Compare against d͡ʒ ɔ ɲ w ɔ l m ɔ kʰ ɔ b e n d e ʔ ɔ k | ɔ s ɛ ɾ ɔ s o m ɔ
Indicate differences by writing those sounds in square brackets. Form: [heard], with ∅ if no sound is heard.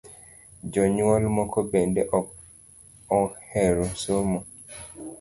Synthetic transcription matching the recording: d͡ʒ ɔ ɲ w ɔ l m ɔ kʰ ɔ b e n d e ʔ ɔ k | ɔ [h] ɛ ɾ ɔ s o m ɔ